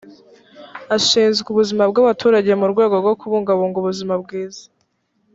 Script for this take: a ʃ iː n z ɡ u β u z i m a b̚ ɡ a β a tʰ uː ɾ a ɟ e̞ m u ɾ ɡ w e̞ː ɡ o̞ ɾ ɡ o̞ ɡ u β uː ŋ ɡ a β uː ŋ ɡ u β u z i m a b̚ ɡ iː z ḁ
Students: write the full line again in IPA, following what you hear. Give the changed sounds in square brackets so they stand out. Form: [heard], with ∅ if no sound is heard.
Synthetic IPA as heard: a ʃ iː n z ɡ u β u z i m a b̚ ɡ a β a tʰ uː ɾ a ɟ e̞ m u ɾ ɡ w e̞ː ɡ o̞ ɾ ɡ o̞ [k] u β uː ŋ ɡ a β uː ŋ ɡ u β u z i m a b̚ ɡ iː z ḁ